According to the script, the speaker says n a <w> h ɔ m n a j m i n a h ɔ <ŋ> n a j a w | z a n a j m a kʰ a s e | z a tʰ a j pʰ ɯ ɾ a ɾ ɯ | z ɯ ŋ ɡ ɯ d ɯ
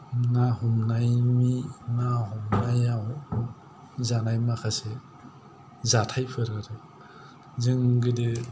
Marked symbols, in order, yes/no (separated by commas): no, no